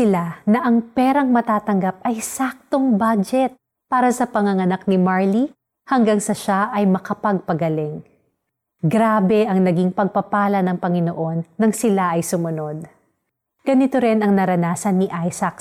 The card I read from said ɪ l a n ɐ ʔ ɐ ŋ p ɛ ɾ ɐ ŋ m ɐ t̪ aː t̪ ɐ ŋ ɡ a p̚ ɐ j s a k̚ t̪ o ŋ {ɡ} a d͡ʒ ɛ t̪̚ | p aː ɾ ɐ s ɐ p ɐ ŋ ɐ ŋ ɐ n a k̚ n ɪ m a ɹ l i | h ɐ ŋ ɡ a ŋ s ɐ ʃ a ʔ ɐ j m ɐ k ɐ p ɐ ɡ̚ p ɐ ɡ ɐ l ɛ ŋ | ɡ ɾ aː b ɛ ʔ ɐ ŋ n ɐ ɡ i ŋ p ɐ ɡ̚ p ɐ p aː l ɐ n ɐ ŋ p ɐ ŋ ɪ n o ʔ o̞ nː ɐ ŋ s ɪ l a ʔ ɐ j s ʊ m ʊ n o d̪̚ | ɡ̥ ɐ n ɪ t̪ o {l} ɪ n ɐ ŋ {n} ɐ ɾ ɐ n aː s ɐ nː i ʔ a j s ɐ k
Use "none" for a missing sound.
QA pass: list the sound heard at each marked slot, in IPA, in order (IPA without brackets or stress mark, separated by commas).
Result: b, ɾ, n